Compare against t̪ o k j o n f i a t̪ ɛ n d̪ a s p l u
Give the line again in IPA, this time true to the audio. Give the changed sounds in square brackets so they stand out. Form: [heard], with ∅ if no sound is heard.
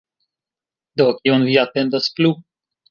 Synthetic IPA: [d̪] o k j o n [v] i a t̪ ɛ n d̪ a s p l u